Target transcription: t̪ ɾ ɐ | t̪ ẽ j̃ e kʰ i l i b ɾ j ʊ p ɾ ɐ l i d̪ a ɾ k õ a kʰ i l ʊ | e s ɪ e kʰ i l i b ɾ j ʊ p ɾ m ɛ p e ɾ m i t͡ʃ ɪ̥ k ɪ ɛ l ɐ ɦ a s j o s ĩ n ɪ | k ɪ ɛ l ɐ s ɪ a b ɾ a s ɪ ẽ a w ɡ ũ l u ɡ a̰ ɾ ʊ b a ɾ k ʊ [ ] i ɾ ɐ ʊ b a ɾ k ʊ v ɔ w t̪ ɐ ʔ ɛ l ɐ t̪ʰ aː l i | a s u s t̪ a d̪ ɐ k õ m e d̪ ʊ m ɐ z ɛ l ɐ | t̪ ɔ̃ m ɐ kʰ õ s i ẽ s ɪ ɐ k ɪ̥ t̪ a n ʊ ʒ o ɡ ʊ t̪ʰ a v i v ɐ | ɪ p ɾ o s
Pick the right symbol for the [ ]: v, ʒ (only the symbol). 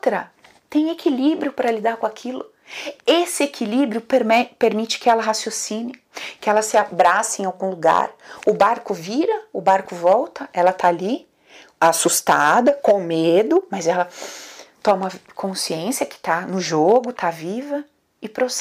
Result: v